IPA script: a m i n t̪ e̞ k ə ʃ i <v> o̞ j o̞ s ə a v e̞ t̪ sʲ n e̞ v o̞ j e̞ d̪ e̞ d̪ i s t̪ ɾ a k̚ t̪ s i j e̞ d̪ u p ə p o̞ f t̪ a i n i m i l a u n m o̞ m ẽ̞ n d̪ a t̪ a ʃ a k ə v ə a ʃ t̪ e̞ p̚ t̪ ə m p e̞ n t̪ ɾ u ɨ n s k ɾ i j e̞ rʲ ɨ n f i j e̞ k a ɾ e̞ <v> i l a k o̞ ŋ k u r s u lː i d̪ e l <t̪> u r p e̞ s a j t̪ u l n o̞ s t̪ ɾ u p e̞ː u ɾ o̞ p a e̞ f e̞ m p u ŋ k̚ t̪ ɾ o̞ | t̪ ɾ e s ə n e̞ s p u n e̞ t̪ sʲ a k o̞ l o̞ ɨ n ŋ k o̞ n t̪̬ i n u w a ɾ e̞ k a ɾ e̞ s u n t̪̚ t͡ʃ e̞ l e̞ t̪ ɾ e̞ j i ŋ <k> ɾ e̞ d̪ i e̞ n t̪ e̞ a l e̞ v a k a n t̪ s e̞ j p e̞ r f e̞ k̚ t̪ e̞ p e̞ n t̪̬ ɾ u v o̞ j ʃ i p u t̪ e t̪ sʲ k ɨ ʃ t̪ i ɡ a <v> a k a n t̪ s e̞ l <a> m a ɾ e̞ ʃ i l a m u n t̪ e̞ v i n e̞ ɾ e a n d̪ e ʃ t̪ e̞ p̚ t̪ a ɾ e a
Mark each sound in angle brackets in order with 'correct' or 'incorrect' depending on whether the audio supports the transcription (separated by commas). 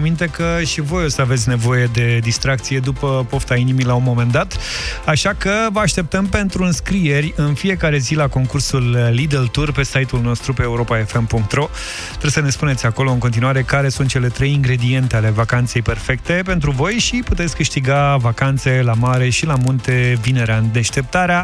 correct, incorrect, correct, incorrect, correct, correct